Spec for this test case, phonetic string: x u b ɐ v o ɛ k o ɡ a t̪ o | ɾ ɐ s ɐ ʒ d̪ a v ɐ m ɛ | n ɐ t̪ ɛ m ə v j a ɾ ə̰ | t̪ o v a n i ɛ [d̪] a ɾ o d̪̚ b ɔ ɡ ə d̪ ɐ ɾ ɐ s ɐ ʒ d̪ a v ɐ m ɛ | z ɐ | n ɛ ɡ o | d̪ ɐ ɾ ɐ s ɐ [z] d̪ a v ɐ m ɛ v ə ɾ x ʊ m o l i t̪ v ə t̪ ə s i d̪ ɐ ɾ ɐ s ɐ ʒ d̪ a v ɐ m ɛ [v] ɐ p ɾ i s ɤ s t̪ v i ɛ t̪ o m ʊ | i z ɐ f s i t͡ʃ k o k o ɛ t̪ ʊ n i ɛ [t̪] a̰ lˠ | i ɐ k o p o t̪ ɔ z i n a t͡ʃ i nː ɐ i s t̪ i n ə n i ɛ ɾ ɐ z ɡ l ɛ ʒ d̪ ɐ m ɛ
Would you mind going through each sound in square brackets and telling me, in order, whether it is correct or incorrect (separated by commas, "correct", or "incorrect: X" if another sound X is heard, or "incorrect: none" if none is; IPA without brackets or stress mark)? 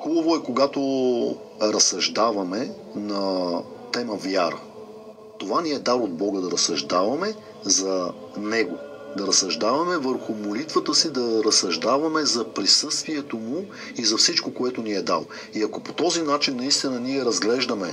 correct, incorrect: ʒ, incorrect: z, incorrect: d̪